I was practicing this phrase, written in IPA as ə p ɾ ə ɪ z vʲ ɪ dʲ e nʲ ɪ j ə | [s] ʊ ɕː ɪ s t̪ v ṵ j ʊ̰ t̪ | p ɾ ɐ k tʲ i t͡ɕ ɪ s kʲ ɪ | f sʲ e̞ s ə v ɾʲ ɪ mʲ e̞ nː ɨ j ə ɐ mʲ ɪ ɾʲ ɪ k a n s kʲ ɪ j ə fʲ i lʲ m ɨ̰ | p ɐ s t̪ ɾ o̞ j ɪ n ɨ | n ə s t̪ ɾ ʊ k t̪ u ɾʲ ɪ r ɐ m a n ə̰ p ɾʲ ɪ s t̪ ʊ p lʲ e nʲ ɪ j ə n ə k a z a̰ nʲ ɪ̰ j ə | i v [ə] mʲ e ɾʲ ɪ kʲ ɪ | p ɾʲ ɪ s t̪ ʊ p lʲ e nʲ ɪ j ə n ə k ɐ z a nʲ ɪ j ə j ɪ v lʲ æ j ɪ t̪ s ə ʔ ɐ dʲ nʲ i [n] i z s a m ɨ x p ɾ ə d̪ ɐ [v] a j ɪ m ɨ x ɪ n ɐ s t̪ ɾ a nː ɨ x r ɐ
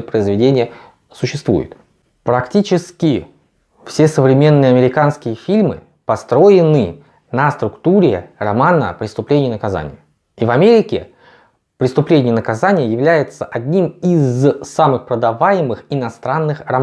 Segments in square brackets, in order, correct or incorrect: correct, incorrect: ɐ, incorrect: m, correct

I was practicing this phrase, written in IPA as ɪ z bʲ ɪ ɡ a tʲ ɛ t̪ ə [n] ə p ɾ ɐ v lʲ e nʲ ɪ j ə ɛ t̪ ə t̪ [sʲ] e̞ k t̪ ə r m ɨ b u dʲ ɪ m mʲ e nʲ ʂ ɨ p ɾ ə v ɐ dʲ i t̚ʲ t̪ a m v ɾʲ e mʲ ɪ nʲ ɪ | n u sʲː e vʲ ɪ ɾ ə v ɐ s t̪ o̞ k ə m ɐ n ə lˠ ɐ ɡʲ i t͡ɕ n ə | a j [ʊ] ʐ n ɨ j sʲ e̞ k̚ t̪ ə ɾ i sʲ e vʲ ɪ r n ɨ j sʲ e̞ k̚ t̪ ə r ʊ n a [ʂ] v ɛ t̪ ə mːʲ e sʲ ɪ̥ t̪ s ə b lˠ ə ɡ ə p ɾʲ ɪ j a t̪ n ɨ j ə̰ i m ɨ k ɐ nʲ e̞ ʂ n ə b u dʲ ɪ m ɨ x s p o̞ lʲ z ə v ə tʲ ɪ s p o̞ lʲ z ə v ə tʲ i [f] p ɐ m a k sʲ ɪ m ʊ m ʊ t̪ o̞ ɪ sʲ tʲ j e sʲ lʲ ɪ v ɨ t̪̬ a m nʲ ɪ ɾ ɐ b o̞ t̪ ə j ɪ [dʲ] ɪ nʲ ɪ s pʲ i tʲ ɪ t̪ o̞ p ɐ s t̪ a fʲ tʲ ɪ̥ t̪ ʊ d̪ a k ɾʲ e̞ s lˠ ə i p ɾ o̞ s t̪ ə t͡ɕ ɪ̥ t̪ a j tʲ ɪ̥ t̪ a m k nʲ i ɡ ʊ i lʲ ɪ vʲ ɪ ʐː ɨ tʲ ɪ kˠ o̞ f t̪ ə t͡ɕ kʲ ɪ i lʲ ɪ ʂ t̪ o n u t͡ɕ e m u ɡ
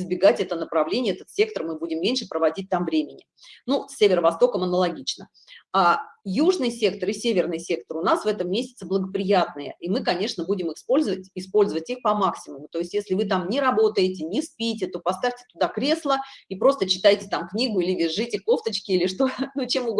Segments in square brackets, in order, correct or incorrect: correct, correct, incorrect: u, incorrect: s, incorrect: x, incorrect: tʲ

